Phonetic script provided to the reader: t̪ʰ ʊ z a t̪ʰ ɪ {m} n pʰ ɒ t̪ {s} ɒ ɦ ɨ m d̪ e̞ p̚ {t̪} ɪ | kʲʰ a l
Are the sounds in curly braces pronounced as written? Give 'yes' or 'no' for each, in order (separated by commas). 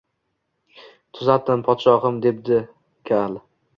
no, no, no